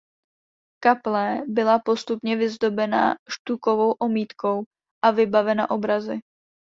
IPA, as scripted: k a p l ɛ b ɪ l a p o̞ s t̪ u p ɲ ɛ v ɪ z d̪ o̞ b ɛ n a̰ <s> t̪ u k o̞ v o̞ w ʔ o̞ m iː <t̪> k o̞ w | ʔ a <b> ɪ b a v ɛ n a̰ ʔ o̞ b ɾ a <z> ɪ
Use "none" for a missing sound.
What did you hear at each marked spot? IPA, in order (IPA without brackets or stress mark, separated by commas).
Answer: ʃ, t̪, v, z